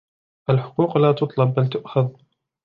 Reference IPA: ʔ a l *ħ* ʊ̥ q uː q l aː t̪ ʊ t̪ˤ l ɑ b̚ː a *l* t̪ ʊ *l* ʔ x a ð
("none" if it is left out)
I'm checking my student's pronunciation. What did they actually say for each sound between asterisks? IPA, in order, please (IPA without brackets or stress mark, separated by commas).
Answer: ħ, l, none